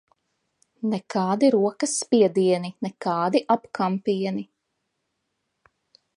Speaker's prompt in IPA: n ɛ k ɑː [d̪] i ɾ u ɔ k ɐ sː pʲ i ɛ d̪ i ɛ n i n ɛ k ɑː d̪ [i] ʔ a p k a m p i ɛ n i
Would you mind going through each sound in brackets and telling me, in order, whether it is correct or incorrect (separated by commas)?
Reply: correct, correct